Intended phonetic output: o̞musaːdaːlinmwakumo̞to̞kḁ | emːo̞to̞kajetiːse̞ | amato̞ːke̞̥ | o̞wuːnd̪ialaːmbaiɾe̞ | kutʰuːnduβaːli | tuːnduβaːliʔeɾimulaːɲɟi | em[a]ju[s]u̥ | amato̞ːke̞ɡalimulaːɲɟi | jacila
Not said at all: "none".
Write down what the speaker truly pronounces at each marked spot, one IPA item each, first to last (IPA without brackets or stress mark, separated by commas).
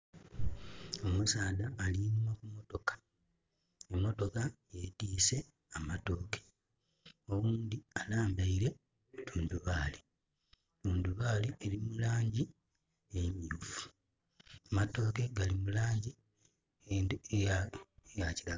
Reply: i, f